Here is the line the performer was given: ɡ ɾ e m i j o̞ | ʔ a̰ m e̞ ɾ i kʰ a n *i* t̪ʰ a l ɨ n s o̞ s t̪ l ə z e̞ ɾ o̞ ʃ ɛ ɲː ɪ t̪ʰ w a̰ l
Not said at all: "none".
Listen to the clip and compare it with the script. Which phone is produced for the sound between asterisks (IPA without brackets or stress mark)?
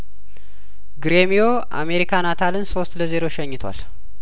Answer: a